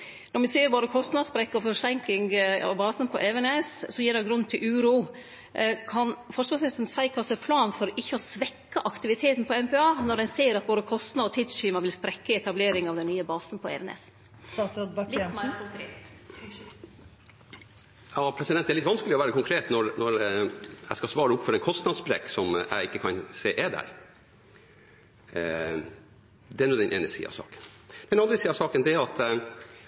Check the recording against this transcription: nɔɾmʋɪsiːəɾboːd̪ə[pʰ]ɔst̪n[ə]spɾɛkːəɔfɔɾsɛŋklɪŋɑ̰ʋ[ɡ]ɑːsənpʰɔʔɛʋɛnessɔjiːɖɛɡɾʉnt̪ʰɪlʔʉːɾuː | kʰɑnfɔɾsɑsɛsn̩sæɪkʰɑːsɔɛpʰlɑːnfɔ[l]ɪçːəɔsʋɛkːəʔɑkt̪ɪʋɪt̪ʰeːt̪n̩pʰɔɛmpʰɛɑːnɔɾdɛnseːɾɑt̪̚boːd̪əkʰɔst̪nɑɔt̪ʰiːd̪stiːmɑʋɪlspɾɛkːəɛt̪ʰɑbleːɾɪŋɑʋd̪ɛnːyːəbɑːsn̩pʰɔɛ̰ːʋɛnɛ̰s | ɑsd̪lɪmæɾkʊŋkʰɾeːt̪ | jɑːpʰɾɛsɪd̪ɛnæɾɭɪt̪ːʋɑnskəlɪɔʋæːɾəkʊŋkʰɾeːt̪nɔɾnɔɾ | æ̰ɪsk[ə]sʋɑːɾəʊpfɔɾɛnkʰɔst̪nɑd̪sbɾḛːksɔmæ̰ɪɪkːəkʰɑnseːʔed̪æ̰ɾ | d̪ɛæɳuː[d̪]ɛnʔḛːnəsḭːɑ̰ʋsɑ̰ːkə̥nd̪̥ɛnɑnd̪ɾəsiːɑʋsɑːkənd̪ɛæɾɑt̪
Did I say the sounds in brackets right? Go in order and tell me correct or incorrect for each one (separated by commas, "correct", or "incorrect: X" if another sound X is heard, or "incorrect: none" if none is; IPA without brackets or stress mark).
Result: incorrect: kʰ, incorrect: ɑ, incorrect: b, incorrect: ɾ, incorrect: ɑ, correct